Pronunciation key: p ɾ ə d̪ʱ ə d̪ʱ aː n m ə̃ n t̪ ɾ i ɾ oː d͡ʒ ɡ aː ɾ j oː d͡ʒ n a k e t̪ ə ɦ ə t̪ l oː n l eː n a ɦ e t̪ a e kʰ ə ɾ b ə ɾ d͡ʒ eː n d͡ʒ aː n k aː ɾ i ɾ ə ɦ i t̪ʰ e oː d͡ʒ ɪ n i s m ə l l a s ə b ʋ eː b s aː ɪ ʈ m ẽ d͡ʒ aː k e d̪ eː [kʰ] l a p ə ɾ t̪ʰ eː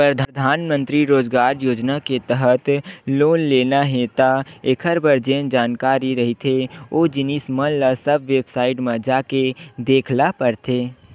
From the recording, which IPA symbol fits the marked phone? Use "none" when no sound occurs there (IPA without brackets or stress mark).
kʰ